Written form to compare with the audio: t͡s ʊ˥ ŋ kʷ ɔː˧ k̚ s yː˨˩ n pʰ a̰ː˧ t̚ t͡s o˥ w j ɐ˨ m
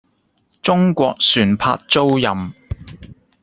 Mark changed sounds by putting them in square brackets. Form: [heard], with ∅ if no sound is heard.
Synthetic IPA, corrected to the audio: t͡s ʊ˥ ŋ kʷ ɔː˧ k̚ s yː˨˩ n pʰ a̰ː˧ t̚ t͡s o˥ w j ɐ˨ m